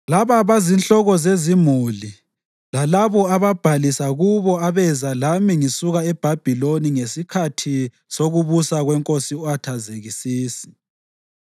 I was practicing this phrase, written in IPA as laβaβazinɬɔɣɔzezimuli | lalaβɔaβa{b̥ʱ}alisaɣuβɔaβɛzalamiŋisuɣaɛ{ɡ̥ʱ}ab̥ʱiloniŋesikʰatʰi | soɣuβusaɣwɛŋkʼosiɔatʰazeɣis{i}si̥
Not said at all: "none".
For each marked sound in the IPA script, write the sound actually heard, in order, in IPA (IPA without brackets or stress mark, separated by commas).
b̥ʱ, b̥ʱ, iː